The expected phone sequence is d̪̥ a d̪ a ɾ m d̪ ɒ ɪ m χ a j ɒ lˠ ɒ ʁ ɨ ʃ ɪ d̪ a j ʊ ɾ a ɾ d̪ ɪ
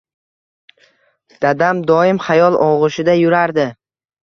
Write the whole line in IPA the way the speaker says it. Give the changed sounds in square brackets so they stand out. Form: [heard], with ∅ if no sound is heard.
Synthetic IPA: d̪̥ a d̪ a [∅] m d̪ ɒ ɪ m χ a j ɒ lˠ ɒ ʁ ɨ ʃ ɪ d̪ a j ʊ ɾ a ɾ d̪ ɪ